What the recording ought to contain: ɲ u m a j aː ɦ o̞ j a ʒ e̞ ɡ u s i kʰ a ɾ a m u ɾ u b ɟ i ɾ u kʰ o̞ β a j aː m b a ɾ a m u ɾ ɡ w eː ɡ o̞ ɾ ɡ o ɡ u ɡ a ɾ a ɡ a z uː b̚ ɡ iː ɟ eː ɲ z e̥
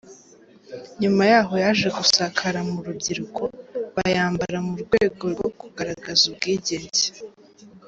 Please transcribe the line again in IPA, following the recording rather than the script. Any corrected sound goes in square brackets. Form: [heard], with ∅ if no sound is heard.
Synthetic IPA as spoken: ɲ u m a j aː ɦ o̞ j a ʒ e̞ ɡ u s [a] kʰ a ɾ a m u ɾ u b ɟ i ɾ u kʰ o̞ β a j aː m b a ɾ a m u ɾ ɡ w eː ɡ o̞ ɾ ɡ o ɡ u ɡ a ɾ a ɡ a z [u] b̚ ɡ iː ɟ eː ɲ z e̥